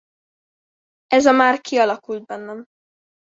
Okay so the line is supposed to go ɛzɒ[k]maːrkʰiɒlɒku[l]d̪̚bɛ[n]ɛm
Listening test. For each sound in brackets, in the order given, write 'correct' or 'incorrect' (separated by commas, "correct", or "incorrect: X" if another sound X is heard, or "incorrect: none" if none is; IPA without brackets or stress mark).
incorrect: none, correct, incorrect: nː